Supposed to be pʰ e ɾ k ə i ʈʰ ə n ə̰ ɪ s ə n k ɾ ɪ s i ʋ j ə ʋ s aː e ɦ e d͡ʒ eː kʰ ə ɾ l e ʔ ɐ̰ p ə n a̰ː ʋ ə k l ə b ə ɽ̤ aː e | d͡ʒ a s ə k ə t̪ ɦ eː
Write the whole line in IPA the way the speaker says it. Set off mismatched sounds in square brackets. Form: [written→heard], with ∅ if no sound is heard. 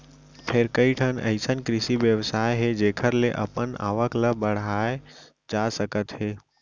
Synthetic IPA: pʰ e ɾ k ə i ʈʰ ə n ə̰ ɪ s ə n k ɾ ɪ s i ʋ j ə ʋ s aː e ɦ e d͡ʒ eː kʰ ə ɾ l e ʔ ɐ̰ p ə n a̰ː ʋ ə k l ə b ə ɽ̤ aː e | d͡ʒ a s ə k ə t̪ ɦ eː

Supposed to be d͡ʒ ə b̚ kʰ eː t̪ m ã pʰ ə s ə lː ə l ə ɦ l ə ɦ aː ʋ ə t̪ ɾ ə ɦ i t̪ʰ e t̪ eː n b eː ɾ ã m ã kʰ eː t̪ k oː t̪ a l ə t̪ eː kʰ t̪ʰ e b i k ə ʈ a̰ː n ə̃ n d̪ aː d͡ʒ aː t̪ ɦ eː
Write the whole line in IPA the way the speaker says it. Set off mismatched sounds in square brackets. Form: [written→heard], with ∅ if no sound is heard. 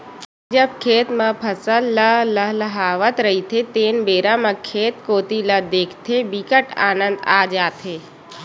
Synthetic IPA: d͡ʒ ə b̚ kʰ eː t̪ m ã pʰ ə s ə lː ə l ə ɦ l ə ɦ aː ʋ ə t̪ ɾ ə ɦ i t̪ʰ e t̪ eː n b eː ɾ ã m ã kʰ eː t̪ k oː t̪ [a→i] l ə [t̪→d̪] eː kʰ t̪ʰ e b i k ə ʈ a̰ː n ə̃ n d̪ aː d͡ʒ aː t̪ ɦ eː

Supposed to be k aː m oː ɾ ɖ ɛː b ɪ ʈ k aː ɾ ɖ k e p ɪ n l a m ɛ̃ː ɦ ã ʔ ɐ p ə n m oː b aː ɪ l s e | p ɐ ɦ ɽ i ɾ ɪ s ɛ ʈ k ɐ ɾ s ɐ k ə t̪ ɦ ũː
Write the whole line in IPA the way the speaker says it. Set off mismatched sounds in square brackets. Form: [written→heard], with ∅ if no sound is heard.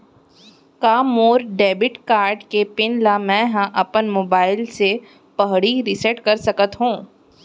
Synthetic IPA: k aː m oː ɾ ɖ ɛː b ɪ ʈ k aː ɾ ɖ k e p ɪ n l a m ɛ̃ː ɦ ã ʔ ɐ p ə n m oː b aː ɪ l s e | p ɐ ɦ ɽ i ɾ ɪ s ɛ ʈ k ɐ ɾ s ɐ k ə t̪ ɦ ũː

